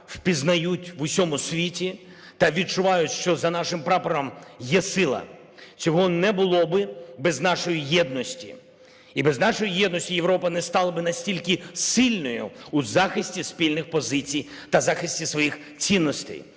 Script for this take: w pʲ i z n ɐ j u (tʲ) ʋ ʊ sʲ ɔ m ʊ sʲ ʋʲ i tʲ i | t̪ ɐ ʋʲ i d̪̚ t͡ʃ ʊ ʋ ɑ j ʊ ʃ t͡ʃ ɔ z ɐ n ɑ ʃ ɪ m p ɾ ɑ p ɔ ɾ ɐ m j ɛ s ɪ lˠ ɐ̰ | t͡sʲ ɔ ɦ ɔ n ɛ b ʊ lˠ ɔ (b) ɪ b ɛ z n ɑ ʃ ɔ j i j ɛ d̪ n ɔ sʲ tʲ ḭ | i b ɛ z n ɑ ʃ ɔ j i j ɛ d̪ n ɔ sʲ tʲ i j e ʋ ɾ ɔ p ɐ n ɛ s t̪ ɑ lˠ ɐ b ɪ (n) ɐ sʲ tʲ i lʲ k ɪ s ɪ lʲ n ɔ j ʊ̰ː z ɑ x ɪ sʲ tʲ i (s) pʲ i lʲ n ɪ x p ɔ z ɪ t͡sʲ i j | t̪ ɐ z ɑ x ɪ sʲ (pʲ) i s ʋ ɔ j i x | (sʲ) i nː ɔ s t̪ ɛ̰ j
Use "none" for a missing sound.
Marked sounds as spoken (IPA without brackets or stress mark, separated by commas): tʲ, b, n, s, tʲ, t͡sʲ